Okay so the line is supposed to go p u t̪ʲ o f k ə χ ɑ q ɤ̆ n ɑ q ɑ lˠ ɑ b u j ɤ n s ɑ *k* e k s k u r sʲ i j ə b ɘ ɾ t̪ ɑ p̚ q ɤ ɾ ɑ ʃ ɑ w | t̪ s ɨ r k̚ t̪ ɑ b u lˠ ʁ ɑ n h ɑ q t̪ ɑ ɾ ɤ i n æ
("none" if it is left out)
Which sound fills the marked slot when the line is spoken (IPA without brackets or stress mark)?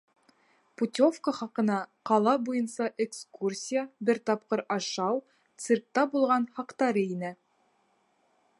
ʔ